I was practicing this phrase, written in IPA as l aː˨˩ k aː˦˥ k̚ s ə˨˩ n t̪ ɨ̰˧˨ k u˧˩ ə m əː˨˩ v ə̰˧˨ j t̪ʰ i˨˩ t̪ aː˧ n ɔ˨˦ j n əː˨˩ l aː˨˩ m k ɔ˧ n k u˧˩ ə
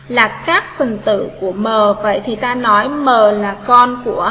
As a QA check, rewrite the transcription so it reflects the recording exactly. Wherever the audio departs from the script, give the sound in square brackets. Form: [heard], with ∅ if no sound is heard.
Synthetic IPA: l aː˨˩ k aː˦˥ k̚ [f] ə˨˩ n t̪ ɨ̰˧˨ k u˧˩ ə m əː˨˩ v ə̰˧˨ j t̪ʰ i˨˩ t̪ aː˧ n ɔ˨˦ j [m] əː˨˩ l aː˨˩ [∅] k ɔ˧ n k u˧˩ ə